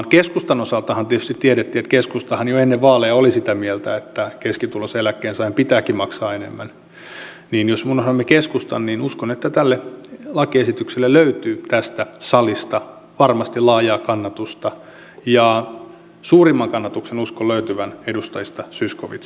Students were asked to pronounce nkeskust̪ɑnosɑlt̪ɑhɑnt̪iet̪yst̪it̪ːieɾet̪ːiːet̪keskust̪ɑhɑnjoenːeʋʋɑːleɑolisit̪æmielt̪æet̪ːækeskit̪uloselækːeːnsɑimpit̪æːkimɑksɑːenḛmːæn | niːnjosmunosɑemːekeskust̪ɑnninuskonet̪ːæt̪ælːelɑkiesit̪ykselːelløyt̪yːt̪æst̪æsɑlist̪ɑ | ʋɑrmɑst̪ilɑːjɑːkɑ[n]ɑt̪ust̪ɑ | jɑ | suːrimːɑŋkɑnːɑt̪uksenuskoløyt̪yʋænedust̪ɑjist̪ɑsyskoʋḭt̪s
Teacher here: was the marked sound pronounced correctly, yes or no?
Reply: no